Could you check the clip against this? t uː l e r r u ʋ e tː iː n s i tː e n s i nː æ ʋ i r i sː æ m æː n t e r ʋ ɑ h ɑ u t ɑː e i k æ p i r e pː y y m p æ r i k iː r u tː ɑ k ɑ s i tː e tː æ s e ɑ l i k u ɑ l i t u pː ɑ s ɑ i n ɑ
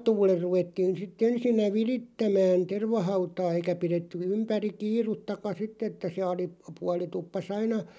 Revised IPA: t uː l e r r u ʋ e tː iː n s i tː e n s i nː æ ʋ i r i tː æ m æː n t e r ʋ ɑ h ɑ u t ɑː e i k æ p i r e tː y y m p æ r i k iː r u tː ɑ k ɑ s i tː e tː æ s e ɑ l i p u ɑ l i t u pː ɑ s ɑ i n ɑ